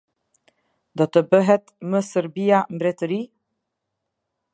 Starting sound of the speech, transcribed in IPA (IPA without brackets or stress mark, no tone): d̪